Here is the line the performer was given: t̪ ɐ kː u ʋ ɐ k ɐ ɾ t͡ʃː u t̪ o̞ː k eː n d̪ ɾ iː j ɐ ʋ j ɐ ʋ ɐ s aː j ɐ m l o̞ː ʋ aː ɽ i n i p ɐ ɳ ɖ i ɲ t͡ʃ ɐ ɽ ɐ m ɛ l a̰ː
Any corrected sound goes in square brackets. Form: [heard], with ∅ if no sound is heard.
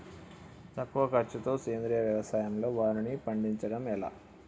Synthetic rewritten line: t̪ ɐ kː u ʋ ɐ k ɐ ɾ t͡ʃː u t̪ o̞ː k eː n d̪ ɾ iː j ɐ ʋ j ɐ ʋ ɐ s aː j ɐ m l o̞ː ʋ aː [ɾ] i n i p ɐ ɳ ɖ i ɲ t͡ʃ ɐ ɽ ɐ m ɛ l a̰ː